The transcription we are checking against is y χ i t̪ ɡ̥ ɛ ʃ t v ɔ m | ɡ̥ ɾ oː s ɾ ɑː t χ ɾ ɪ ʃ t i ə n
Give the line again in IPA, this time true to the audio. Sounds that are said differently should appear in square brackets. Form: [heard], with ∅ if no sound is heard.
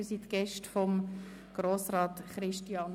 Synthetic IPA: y [s] i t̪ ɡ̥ ɛ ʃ t [f] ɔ m | ɡ̥ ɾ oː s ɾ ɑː t χ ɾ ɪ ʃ t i [ɑ] n